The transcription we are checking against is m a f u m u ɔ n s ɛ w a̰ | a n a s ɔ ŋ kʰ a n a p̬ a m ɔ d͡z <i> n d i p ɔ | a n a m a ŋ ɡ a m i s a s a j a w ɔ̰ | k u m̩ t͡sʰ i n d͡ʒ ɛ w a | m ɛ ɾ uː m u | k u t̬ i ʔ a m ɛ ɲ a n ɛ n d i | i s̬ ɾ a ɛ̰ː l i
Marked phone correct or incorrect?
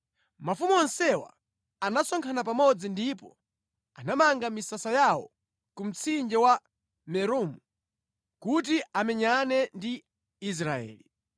correct